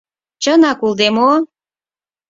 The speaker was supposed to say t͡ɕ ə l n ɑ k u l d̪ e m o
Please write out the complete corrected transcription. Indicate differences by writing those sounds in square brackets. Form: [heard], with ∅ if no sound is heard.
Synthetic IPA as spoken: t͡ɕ ə [∅] n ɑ k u l d̪ e m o